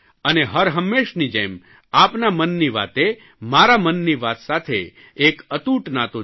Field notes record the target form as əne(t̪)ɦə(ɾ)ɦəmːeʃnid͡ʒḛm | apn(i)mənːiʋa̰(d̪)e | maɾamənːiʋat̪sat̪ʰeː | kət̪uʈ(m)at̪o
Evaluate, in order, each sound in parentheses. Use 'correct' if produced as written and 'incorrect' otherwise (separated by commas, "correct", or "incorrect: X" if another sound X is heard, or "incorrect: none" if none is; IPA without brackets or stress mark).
incorrect: none, correct, incorrect: a, incorrect: t̪, incorrect: n